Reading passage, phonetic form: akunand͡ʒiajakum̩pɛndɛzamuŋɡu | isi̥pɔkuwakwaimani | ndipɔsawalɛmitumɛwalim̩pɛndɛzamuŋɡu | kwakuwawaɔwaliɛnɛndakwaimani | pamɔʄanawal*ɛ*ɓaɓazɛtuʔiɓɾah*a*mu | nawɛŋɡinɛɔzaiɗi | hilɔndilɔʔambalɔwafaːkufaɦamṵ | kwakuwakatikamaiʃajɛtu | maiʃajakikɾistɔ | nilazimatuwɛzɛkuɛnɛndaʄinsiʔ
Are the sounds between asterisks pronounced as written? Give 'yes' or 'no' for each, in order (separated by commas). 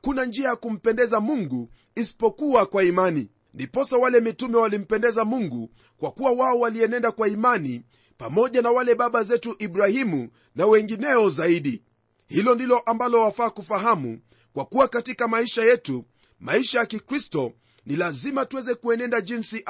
yes, no